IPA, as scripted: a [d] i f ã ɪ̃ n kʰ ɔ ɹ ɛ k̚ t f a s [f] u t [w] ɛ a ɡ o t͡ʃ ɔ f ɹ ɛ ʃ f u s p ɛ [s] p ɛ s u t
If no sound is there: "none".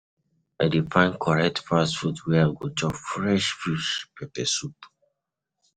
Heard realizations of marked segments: d, f, w, none

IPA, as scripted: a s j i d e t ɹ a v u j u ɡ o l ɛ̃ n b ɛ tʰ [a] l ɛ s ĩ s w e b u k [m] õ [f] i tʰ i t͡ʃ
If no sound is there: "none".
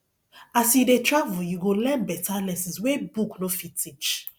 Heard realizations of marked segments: a, n, f

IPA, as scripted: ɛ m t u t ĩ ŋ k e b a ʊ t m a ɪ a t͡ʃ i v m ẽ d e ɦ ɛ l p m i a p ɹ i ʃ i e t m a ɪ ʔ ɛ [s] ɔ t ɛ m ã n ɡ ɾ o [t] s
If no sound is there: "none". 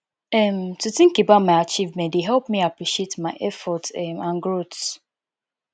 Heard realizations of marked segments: f, t

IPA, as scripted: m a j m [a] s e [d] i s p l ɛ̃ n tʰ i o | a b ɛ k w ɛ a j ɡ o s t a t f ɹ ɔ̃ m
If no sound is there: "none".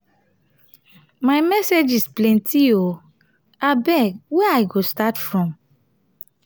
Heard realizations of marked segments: ɛ, d͡ʒ

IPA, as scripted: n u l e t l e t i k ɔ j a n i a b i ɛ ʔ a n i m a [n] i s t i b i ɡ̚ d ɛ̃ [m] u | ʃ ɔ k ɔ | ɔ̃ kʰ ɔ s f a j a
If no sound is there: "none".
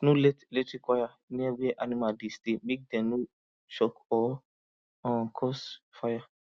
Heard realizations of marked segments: d, n

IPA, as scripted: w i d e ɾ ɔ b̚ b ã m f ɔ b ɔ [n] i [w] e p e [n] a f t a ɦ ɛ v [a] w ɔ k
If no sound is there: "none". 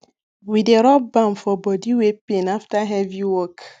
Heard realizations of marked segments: d, w, n, i

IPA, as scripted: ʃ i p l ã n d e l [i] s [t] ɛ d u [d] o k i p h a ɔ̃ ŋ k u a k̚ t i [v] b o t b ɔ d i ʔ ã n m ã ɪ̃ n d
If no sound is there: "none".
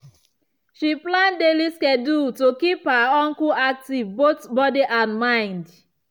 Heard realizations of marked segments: i, k, t, v

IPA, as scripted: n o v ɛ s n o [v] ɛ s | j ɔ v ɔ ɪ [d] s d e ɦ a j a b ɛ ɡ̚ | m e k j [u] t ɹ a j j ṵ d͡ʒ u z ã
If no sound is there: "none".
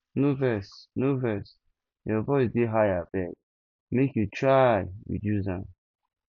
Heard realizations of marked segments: v, none, u

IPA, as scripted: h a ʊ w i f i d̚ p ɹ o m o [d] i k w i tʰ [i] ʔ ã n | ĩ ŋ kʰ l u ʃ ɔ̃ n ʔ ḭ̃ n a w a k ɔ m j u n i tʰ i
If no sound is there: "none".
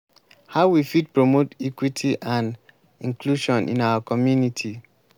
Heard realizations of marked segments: t, i

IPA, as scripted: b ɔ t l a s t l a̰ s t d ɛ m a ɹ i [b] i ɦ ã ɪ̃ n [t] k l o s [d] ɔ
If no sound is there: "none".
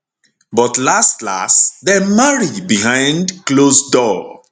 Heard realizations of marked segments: b, d, d

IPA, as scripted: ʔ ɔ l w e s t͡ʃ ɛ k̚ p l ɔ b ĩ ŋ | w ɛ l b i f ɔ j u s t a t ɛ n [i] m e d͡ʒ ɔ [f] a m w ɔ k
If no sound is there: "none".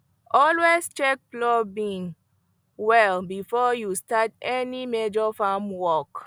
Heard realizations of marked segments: i, f

